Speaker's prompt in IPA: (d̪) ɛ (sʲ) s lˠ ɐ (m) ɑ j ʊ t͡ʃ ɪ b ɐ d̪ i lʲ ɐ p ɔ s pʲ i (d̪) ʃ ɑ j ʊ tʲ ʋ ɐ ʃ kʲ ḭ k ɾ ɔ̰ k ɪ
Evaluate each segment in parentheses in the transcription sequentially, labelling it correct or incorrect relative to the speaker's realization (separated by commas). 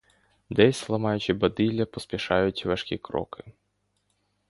correct, correct, correct, incorrect